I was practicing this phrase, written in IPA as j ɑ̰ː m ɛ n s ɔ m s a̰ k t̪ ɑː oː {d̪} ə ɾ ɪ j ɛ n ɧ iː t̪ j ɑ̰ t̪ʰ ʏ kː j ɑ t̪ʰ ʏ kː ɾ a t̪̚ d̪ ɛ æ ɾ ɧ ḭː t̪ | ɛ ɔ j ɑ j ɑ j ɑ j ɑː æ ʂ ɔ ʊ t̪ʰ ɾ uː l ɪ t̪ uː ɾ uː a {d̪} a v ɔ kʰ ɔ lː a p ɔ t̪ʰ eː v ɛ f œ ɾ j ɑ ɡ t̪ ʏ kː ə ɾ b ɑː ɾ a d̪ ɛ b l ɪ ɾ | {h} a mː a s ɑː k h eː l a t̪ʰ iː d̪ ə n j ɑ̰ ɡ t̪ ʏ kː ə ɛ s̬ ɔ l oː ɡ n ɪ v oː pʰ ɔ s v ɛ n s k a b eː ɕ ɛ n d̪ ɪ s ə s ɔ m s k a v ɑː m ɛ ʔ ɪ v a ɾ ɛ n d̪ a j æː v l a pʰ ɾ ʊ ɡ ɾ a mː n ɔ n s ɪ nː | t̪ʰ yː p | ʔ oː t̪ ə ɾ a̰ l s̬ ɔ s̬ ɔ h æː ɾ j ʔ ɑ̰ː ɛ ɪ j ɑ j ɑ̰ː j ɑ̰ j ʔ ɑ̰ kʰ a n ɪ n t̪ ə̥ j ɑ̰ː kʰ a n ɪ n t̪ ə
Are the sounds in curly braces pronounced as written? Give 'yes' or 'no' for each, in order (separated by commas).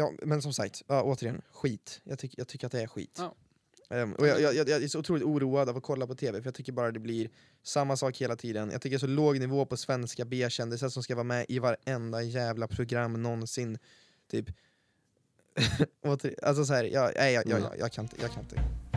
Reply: no, yes, no